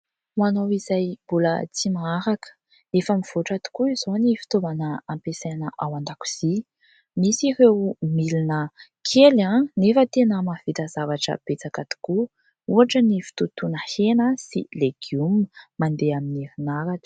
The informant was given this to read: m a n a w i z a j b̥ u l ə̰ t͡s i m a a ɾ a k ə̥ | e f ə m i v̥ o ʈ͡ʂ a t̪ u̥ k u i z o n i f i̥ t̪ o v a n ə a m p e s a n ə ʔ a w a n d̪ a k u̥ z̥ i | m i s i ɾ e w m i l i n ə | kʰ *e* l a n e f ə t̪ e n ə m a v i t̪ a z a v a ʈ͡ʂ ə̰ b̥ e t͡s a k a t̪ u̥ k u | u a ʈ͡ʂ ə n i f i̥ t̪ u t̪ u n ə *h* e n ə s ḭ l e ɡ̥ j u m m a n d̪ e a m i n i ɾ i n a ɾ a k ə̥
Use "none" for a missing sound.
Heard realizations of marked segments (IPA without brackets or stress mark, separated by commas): e, h